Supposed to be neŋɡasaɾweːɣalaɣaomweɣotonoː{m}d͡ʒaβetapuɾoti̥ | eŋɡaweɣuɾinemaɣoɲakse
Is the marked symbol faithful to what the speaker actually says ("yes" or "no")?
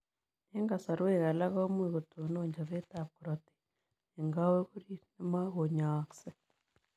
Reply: no